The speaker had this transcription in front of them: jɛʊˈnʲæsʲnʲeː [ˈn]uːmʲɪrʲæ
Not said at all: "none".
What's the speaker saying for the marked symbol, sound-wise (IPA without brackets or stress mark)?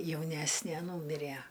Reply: n